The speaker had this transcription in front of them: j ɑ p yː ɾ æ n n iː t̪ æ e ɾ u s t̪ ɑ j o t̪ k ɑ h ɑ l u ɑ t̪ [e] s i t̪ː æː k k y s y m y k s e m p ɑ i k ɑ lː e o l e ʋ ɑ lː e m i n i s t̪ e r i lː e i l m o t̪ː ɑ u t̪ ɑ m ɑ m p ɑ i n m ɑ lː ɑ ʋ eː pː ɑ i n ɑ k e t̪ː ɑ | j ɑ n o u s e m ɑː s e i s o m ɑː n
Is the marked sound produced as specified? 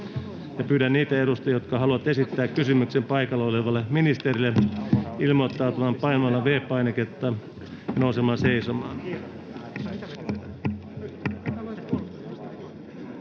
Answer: yes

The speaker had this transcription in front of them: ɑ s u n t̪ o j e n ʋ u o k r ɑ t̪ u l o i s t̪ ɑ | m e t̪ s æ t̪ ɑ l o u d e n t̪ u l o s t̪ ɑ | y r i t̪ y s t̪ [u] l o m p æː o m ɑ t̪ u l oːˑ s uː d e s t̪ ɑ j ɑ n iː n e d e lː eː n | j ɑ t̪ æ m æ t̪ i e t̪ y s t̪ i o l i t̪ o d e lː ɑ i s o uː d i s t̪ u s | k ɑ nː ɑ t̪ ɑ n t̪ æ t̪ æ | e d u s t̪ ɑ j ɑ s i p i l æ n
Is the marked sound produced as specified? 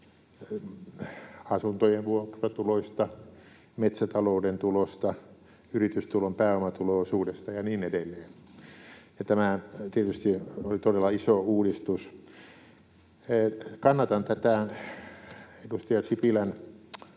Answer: yes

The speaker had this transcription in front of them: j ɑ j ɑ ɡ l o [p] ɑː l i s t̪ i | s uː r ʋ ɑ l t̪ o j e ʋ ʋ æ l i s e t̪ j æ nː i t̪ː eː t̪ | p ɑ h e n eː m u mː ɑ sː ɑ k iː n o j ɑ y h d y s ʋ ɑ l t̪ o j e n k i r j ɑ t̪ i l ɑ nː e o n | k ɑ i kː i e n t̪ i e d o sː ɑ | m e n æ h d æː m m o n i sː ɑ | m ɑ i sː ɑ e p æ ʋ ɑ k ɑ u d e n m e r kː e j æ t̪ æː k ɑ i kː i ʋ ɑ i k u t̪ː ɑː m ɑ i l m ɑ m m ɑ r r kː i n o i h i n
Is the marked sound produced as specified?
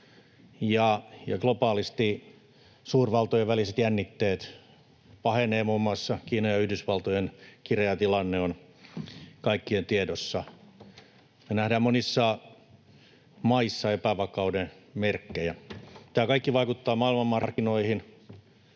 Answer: yes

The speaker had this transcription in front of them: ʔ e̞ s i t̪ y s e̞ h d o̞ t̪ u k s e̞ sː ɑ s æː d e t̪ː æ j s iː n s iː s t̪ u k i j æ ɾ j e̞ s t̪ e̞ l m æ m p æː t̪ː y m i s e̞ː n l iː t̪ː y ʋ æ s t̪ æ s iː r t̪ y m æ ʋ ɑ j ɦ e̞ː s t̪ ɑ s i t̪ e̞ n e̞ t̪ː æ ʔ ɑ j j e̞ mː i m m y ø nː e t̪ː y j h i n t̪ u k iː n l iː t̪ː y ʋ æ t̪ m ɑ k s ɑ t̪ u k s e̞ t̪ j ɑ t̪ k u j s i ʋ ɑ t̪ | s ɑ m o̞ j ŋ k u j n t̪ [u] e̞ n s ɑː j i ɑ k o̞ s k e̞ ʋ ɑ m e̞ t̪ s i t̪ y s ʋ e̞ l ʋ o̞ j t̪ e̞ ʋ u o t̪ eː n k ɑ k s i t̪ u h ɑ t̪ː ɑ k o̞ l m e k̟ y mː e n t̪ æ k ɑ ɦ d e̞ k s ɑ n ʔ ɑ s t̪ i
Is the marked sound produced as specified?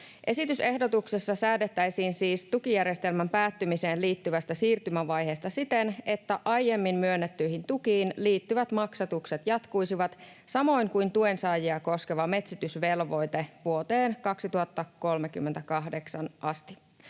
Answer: yes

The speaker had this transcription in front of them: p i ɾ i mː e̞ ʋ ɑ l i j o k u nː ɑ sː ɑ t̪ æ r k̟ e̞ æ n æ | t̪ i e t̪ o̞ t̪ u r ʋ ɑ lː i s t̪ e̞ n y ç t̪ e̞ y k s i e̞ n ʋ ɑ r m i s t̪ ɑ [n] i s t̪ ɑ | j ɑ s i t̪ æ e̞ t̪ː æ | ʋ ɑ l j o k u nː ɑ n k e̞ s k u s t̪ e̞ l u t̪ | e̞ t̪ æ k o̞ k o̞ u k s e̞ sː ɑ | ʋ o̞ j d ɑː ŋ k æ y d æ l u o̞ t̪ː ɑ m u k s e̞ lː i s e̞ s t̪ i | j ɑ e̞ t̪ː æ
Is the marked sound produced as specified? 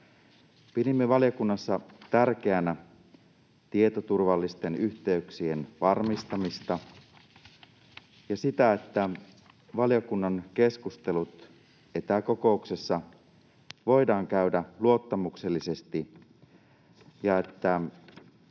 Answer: no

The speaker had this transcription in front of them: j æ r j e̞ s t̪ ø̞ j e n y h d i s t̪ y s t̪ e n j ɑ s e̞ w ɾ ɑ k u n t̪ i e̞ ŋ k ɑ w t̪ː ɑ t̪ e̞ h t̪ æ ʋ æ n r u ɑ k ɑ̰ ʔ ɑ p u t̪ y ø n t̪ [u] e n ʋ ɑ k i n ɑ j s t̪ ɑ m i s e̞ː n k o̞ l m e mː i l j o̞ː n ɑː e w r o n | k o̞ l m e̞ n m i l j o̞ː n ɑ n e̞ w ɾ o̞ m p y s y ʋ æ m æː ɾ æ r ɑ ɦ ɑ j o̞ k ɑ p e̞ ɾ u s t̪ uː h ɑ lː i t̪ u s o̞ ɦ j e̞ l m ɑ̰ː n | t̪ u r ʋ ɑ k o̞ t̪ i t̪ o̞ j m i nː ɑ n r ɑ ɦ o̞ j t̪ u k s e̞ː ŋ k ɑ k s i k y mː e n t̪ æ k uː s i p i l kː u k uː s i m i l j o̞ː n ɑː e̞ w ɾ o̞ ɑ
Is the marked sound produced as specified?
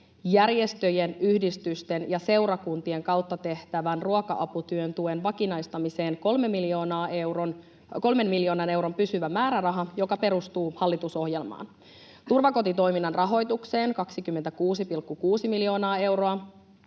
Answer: yes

